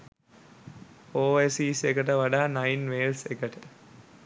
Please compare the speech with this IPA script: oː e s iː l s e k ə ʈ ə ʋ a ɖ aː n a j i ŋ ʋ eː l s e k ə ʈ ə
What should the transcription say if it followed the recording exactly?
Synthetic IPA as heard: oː e s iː s e k ə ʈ ə ʋ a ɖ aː n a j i n ʋ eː l s e k ə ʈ ə